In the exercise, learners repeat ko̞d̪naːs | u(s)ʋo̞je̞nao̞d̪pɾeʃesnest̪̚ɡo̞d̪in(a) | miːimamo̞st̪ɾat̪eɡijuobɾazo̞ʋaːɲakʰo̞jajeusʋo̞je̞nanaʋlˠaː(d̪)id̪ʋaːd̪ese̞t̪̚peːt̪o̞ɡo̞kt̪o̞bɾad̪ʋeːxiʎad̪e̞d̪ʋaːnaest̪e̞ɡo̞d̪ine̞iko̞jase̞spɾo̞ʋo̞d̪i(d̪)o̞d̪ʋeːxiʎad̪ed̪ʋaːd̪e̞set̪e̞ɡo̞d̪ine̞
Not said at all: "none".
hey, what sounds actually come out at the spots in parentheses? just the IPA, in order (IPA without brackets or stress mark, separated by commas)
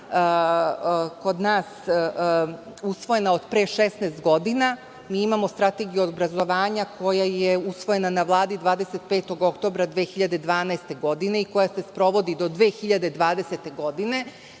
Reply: s, a, d̪, d̪